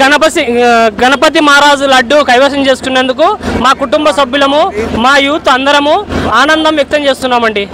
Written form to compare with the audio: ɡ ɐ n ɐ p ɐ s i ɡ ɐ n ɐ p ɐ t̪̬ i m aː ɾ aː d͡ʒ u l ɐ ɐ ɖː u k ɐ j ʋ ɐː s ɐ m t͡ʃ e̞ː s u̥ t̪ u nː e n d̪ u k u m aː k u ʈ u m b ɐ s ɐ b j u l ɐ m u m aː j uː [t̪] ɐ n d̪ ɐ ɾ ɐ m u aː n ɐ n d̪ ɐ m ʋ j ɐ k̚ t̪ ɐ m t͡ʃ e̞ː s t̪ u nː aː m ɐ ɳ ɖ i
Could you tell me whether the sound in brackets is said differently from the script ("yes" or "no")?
no